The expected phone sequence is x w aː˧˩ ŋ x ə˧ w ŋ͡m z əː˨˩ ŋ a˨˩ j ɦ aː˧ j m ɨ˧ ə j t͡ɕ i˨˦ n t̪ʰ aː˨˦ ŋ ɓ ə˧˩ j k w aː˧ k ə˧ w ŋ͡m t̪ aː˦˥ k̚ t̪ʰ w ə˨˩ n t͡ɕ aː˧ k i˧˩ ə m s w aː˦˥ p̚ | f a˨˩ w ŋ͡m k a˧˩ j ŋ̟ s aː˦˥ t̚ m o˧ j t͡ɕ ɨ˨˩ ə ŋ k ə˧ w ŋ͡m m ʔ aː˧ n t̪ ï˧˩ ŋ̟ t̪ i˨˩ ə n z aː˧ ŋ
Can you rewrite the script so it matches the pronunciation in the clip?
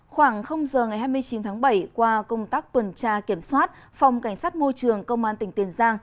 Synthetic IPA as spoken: x w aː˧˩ ŋ x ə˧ w ŋ͡m z əː˨˩ ŋ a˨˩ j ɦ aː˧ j m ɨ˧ ə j t͡ɕ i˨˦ n t̪ʰ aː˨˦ ŋ ɓ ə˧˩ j k w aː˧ k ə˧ w ŋ͡m t̪ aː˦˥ k̚ t̪ w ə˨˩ n t͡ɕ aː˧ k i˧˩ ə m s w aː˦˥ t̚ | f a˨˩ w ŋ͡m k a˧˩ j ŋ̟ s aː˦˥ t̚ m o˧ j t͡ɕ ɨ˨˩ ə ŋ k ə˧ w ŋ͡m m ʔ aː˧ n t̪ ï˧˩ ŋ̟ t̪ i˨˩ ə n z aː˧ ŋ